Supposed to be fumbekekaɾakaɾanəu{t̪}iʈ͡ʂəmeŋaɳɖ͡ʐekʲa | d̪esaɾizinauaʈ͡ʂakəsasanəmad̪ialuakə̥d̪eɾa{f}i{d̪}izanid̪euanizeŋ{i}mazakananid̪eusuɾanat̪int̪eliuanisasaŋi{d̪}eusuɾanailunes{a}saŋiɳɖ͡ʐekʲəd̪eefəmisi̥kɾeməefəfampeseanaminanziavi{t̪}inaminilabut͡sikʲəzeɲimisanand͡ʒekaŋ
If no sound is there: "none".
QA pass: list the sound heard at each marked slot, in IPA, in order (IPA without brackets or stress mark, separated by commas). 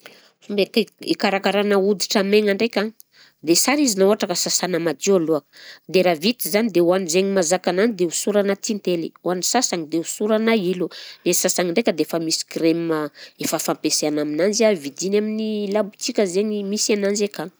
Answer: d̪, v, t̪, i, d̪, a, d̪